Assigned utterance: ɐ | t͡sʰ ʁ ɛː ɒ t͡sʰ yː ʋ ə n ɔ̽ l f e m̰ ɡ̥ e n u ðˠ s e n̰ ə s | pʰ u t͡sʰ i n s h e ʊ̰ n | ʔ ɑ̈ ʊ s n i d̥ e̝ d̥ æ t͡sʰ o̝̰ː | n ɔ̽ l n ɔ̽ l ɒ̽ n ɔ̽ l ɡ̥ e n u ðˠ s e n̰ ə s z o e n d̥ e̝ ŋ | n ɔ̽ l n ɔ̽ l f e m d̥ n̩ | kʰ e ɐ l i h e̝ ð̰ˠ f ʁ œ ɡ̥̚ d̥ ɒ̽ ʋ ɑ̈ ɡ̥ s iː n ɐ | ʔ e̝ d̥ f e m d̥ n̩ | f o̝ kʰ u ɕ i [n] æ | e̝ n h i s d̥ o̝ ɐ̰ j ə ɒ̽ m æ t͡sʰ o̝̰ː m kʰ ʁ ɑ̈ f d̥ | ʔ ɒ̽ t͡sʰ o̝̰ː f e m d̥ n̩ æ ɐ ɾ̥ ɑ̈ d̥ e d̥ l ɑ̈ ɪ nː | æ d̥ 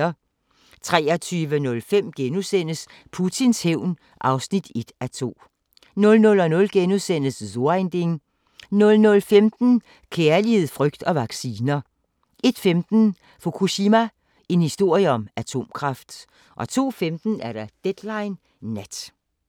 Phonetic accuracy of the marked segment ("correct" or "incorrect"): incorrect